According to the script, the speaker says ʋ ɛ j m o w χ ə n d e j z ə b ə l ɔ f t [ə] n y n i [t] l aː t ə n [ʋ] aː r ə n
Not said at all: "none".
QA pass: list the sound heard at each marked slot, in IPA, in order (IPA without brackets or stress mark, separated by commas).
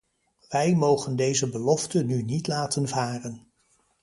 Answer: ə, t, v